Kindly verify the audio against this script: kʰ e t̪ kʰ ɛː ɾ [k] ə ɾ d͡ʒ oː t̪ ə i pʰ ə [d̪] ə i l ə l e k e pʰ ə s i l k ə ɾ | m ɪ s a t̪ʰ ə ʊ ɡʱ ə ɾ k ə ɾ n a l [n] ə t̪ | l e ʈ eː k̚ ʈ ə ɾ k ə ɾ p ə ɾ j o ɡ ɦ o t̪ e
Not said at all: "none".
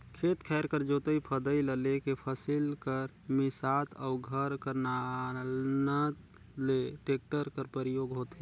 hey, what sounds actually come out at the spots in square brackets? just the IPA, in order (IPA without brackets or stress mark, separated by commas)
k, d̪, n